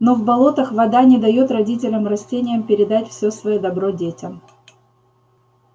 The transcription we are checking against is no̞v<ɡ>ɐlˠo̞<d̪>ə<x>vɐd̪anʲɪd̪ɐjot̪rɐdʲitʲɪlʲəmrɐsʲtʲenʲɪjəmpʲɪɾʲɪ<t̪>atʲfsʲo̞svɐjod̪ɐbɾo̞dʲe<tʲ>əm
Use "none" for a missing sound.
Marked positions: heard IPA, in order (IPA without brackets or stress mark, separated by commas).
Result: b, t̪, x, d̪, tʲ